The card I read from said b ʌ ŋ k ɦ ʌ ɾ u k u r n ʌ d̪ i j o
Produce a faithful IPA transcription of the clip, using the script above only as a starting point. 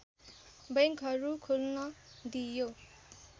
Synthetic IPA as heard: b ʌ ŋ k ɦ ʌ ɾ u kʰ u l n ʌ d̪ i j o